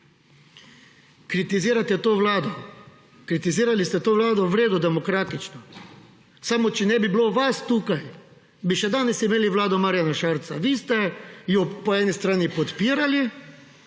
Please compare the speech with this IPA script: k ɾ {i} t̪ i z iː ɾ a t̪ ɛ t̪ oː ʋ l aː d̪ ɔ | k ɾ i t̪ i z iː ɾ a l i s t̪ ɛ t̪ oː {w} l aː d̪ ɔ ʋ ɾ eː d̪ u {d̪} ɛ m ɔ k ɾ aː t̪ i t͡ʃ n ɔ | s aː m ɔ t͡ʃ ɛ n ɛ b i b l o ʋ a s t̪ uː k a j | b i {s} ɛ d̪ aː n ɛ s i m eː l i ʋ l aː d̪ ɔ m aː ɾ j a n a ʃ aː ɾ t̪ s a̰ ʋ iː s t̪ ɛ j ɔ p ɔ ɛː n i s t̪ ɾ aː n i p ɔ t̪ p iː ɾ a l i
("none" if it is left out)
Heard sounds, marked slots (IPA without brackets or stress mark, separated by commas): i, ʋ, d̪, ʃ